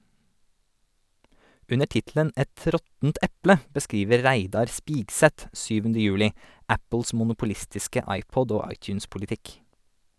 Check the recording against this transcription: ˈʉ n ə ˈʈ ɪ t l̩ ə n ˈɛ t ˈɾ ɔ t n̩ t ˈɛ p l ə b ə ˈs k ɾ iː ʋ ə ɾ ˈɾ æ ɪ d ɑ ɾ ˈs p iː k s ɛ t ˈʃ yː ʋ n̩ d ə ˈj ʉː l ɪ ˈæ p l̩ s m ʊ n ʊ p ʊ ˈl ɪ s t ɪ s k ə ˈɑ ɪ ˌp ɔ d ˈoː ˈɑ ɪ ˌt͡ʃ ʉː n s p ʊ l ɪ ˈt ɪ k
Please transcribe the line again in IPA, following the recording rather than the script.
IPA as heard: ˈʉ n ə ˈʈ ɪ t l̩ ə n ˈɛ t ˈɾ ɔ t n̩ t ˈɛ p l ə b ə ˈs k ɾ iː ʋ ə ɾ ˈɾ æ ɪ d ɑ ɾ ˈs p iː ɡ s ɛ t ˈʃ yː ʋ n̩ d ə ˈj ʉː l ɪ ˈæ p l̩ s m ʊ n ʊ p ʊ ˈl ɪ s t ɪ s k ə ˈɑ ɪ ˌp ɔ d ˈoː ˈɑ ɪ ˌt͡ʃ ʉː n s p ʊ l ɪ ˈt ɪ k

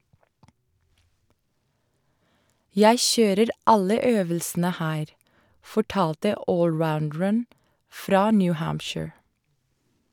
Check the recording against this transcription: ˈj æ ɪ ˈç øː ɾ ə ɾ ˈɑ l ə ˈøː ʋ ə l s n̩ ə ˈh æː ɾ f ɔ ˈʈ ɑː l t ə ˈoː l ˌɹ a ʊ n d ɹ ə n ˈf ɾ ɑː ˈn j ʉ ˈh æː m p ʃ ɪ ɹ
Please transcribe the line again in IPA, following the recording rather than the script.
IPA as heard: ˈj æ ɪ ˈç øː ɾ ə ɾ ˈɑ l ə ˈøː ʋ ə l s n̩ ə ˈh æː ɾ f ɔ ˈʈ ɑː l t ə ˈoː l ˌɹ a ʊ n d ɹ ə n ˈf ɾ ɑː ˈn j ʉ ˈh æː m p ʃ ɪ ɹ

